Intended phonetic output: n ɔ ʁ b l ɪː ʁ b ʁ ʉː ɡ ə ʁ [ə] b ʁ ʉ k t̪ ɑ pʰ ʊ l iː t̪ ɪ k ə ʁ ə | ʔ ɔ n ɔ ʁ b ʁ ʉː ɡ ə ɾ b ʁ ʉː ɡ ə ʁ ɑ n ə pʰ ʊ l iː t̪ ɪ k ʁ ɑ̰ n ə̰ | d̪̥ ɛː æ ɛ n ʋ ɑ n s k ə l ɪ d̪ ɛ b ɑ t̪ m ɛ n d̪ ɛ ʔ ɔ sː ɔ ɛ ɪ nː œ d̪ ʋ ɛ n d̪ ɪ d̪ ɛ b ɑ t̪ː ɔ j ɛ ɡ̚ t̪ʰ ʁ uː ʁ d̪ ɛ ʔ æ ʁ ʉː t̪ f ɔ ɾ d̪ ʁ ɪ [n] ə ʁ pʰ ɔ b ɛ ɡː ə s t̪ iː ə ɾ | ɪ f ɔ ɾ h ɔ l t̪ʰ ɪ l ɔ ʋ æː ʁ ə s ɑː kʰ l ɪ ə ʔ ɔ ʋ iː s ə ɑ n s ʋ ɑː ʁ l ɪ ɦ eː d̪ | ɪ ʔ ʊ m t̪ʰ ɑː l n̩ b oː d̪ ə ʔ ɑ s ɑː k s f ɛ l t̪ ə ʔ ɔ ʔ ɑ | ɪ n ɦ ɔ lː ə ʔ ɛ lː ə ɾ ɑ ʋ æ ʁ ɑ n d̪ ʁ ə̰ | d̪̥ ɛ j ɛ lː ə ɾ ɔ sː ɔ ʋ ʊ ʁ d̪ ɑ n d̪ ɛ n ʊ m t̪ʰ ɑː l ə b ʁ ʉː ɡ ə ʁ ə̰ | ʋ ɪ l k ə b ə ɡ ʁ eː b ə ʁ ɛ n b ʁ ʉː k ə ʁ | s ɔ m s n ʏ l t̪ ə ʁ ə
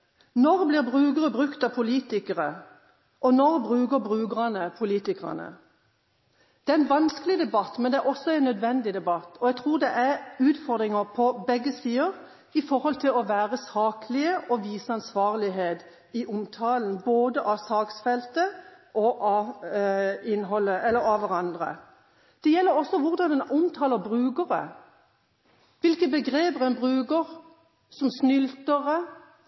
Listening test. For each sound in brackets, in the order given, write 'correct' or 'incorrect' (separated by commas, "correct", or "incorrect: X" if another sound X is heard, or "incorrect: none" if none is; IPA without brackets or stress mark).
correct, incorrect: ŋ